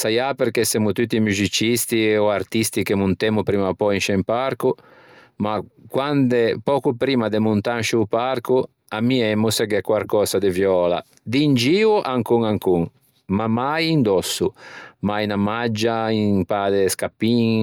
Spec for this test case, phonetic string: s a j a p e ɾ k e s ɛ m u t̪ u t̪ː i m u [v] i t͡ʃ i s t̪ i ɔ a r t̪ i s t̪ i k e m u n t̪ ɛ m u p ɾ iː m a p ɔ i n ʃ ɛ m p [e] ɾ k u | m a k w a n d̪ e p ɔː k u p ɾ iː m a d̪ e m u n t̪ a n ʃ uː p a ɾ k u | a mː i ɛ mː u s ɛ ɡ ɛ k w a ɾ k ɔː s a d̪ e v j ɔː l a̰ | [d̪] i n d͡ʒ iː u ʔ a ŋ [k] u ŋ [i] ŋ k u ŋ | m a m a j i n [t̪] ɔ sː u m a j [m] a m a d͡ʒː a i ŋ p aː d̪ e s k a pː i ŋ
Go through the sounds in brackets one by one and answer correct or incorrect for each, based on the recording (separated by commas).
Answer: incorrect, incorrect, correct, correct, incorrect, incorrect, incorrect